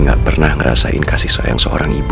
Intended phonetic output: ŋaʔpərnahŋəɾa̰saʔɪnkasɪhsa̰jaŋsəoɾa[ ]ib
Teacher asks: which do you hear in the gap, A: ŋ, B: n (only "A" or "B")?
A